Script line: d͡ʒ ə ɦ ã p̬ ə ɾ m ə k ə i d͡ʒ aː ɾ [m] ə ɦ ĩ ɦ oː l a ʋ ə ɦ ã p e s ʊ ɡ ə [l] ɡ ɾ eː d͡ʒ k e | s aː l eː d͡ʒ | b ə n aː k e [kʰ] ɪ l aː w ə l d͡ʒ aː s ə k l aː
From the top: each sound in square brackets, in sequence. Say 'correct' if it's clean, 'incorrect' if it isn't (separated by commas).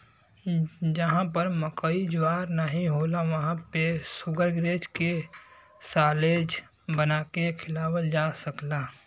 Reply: incorrect, incorrect, correct